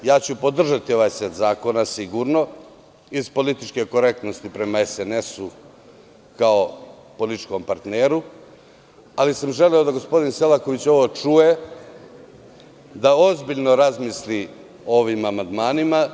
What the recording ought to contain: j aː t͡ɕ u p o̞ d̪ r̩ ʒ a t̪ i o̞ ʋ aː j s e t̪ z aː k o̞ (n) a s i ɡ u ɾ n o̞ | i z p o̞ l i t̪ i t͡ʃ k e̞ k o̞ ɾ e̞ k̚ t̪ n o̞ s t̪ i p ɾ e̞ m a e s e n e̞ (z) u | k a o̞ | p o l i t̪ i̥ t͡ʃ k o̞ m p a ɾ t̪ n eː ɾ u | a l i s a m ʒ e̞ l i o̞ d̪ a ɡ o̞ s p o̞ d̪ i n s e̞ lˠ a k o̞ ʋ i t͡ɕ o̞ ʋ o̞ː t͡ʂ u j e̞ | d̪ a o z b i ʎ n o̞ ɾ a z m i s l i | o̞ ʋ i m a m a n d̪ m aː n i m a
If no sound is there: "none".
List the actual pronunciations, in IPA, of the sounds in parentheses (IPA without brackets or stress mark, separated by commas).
n, s